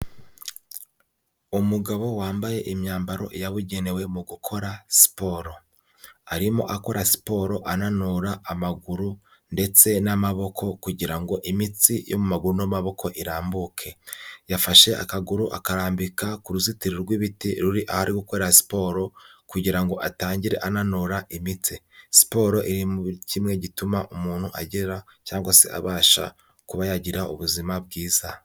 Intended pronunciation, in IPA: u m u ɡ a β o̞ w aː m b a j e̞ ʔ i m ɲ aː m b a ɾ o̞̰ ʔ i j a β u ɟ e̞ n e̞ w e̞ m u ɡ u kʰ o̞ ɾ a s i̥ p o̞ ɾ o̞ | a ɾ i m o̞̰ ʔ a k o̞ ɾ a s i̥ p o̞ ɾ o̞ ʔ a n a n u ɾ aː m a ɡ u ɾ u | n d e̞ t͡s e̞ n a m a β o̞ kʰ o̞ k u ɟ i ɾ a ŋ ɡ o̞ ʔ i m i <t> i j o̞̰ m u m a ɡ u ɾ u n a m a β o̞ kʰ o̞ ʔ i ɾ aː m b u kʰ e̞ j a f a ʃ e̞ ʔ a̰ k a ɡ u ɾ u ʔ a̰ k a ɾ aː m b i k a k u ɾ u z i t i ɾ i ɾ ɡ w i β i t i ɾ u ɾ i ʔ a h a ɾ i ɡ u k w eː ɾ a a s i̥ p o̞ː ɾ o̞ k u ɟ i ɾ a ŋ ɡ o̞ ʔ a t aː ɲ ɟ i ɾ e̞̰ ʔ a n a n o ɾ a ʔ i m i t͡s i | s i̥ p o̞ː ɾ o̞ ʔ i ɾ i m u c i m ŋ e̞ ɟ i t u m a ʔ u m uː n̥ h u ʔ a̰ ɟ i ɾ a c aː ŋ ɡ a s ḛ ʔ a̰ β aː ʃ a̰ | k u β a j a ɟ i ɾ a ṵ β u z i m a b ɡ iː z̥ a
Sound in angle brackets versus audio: incorrect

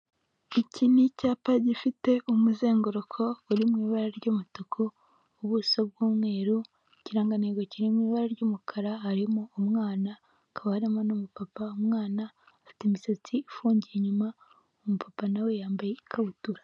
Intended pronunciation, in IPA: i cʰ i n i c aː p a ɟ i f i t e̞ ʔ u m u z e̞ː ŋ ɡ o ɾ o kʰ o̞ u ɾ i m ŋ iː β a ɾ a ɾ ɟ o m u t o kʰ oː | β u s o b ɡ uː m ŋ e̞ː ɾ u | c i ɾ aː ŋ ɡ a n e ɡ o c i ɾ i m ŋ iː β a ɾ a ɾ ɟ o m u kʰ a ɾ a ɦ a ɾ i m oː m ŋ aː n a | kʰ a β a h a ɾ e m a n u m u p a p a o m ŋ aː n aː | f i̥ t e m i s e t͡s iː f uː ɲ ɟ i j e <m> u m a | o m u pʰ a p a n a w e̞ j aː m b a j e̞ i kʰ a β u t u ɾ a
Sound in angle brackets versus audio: incorrect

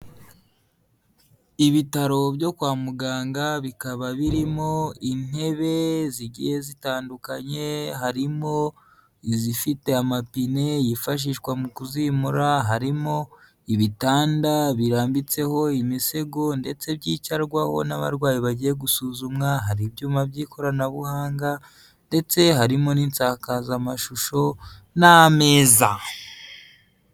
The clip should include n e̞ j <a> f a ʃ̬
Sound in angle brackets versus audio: incorrect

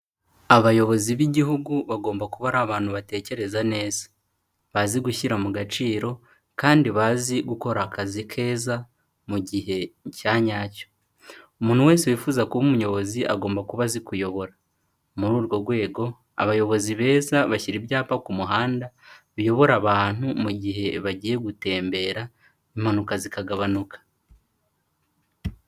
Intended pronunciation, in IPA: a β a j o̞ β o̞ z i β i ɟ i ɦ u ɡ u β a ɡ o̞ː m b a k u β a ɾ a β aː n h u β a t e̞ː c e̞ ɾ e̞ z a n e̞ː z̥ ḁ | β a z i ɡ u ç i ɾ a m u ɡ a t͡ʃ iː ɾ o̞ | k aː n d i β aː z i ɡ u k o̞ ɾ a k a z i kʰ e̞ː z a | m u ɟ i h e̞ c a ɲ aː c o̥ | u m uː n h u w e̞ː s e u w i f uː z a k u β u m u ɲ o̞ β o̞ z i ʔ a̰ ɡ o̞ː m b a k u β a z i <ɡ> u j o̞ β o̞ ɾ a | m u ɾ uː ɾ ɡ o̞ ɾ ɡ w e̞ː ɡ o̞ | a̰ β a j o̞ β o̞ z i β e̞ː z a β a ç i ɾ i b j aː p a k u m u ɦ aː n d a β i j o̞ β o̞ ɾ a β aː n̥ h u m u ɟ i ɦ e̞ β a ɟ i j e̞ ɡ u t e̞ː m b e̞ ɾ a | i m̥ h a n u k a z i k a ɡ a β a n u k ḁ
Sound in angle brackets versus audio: incorrect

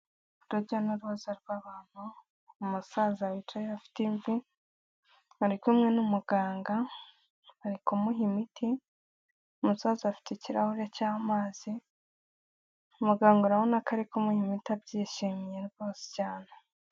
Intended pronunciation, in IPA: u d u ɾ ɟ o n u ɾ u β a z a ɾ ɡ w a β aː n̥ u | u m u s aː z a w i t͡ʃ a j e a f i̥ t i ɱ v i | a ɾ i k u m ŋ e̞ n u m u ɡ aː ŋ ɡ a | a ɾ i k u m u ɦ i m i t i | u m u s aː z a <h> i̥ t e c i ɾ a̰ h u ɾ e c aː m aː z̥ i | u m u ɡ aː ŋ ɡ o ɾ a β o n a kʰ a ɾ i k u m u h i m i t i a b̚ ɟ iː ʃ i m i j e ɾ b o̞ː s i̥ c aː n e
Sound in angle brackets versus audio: incorrect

